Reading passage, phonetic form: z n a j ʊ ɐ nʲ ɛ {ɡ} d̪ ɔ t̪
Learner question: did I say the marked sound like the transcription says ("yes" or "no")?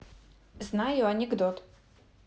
yes